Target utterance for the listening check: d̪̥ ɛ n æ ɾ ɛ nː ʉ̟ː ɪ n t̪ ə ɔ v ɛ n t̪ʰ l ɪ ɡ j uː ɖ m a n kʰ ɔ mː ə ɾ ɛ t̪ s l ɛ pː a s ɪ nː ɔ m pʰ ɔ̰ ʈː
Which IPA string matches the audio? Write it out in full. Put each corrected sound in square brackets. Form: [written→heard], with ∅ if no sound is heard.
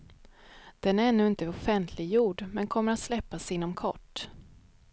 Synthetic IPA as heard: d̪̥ ɛ n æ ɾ ɛ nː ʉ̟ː ɪ n t̪ ə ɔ [v→f] ɛ n t̪ʰ l ɪ ɡ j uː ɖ m [a→ɛ] n kʰ ɔ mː ə ɾ [ɛ→a] t̪ s l ɛ pː a s ɪ nː ɔ m [pʰ→kʰ] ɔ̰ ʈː